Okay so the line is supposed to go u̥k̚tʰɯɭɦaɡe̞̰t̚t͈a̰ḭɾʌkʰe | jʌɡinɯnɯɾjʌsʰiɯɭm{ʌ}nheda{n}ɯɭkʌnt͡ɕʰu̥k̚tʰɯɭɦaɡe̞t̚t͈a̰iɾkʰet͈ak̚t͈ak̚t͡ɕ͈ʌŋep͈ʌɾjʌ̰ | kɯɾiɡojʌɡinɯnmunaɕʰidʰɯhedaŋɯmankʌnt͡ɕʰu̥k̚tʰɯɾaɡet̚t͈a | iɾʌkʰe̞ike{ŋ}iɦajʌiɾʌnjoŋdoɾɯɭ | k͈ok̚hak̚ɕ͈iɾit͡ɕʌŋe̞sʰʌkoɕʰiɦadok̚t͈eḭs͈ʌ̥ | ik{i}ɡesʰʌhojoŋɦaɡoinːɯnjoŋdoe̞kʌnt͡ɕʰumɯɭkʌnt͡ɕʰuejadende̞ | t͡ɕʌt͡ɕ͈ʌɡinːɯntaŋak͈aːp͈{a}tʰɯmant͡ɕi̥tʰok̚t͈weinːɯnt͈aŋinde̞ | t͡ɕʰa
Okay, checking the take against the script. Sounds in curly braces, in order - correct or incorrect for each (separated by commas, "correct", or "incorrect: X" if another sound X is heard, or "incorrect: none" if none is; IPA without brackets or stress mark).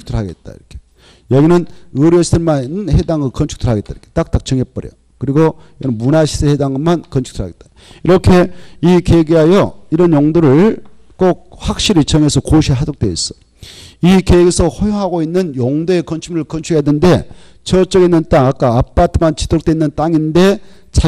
incorrect: a, incorrect: ŋ, incorrect: ɡ, incorrect: e, correct